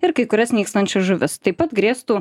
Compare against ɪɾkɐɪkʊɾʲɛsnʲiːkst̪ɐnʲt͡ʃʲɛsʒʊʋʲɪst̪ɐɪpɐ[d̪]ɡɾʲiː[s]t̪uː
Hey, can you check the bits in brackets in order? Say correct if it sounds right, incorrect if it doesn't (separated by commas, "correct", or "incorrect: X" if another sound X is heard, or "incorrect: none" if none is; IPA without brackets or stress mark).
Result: incorrect: t̪, correct